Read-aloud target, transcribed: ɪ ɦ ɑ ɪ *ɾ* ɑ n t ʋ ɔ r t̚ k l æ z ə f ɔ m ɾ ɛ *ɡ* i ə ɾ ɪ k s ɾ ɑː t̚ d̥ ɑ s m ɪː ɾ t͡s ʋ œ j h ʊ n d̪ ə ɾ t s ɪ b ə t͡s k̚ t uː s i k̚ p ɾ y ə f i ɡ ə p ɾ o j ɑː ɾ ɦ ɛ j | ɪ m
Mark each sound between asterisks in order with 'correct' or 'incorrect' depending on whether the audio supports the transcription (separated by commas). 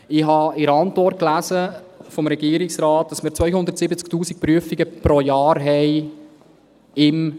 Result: correct, correct